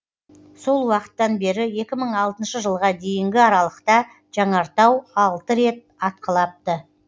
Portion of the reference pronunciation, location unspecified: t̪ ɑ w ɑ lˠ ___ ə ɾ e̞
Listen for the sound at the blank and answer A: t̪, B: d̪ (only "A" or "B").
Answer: A